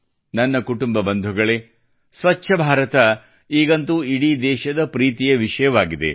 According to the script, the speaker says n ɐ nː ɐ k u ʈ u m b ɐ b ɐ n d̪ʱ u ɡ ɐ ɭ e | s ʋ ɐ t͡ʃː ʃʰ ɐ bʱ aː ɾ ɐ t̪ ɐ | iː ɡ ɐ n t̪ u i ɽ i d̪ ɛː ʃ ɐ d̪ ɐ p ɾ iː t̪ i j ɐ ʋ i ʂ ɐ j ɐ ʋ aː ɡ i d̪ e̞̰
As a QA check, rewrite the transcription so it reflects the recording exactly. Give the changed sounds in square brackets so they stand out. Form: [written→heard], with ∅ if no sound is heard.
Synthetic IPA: n ɐ nː ɐ k u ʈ u m b ɐ b ɐ n d̪ʱ u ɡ ɐ ɭ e | s ʋ ɐ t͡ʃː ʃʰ ɐ bʱ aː ɾ ɐ t̪ ɐ | iː ɡ ɐ n t̪ u i ɽ i d̪ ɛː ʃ ɐ d̪ ɐ p ɾ iː t̪ i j ɐ ʋ i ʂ ɐ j ɐ ʋ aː ɡ i d̪ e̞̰